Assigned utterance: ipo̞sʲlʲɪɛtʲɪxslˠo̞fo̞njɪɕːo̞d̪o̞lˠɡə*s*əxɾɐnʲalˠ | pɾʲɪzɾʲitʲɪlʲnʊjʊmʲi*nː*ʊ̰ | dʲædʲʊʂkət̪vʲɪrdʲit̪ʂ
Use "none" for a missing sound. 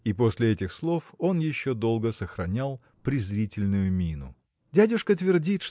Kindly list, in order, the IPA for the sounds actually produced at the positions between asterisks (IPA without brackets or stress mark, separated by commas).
s, n